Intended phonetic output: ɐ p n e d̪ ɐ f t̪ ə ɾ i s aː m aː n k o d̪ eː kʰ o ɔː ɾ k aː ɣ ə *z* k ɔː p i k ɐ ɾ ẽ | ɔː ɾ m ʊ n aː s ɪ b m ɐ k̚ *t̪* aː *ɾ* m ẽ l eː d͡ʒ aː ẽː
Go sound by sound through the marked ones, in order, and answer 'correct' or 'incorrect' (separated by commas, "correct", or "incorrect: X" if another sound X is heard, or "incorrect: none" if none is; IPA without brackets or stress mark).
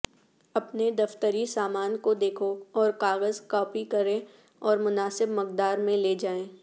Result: correct, incorrect: d̪, correct